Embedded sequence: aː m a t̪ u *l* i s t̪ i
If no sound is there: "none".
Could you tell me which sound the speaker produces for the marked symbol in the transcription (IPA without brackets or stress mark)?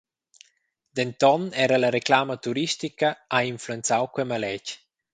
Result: ɾ